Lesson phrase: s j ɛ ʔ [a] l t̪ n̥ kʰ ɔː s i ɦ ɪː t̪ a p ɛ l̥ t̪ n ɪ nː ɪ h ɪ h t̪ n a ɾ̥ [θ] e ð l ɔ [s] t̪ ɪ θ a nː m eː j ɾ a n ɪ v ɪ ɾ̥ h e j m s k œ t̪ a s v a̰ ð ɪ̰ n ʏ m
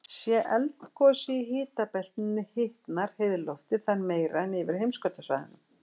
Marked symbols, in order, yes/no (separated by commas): no, no, no